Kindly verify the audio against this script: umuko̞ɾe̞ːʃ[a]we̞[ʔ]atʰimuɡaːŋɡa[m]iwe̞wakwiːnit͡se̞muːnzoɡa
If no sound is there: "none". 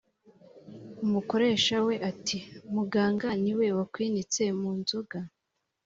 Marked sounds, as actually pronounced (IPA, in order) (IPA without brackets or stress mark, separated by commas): a, ʔ, n